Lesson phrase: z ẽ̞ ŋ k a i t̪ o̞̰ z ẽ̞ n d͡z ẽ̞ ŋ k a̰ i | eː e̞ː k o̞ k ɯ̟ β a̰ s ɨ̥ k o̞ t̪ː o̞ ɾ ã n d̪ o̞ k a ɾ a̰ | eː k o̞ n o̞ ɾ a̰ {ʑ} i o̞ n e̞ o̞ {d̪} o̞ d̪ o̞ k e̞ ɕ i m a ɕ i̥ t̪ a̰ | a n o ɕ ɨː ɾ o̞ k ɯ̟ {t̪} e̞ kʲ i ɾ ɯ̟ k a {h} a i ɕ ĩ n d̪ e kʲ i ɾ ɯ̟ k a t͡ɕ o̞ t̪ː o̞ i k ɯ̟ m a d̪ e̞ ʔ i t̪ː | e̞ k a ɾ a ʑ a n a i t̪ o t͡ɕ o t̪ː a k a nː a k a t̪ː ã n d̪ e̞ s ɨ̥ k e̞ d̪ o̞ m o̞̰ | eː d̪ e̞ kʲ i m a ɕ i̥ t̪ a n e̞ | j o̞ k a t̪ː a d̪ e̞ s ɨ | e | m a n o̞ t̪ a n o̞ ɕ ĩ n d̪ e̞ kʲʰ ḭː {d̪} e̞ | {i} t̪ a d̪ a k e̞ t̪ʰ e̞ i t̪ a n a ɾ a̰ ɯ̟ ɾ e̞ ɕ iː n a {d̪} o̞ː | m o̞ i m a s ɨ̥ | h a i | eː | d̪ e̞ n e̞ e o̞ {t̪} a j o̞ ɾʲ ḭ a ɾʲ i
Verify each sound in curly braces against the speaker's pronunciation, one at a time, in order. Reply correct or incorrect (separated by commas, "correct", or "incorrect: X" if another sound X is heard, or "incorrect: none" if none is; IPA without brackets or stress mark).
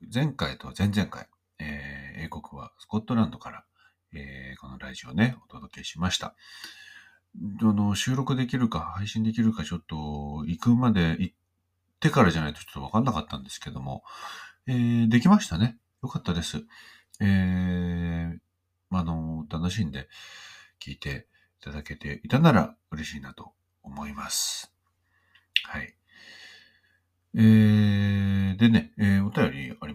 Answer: correct, incorrect: t̪, incorrect: d̪, correct, incorrect: t̪, correct, incorrect: t̪, correct